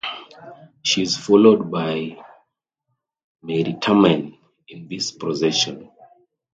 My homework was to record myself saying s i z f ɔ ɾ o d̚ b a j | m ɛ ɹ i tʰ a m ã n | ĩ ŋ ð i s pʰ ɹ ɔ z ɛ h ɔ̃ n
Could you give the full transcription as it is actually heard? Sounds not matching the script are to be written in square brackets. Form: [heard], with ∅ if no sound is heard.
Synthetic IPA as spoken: [ʃ] i z f ɔ [l] o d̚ b a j | m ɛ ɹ i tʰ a m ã n | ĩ [n] ð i s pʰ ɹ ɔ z ɛ [ʃ] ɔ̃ n